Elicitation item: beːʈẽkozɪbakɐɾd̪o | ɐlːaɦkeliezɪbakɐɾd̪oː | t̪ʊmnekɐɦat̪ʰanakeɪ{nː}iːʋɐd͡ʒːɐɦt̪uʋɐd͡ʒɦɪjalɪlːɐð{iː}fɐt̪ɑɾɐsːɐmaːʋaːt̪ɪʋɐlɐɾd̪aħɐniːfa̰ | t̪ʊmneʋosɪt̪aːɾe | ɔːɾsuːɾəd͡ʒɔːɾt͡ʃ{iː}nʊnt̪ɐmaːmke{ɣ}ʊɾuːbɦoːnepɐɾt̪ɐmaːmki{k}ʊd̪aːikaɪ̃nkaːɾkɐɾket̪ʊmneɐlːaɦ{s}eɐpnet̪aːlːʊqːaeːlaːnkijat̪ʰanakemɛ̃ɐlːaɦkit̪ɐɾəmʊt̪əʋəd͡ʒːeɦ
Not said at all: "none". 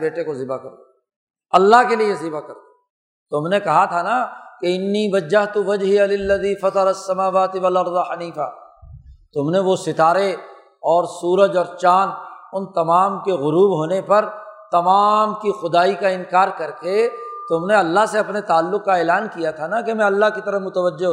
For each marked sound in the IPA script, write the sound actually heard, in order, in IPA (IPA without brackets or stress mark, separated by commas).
nː, iː, aː, ɣ, x, s